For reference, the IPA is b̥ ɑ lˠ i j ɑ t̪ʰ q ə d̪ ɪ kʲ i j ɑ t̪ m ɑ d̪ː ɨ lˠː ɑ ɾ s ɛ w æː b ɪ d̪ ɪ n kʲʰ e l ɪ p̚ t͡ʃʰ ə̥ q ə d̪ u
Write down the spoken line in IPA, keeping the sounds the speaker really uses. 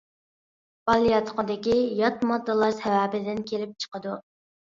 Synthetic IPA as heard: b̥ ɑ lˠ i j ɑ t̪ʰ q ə d̪ ɪ kʲ i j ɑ t̪ m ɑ d̪ː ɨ lˠ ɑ ɾ s ɛ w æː b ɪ d̪ ɪ n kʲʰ e l ɪ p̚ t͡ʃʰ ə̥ q ə d̪ u